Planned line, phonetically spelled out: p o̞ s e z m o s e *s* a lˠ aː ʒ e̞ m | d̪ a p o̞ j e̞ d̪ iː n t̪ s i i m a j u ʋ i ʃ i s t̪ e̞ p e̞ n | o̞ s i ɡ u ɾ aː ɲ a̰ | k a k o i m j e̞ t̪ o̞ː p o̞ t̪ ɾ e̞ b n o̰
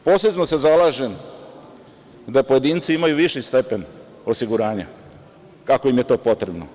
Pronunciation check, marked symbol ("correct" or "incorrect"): incorrect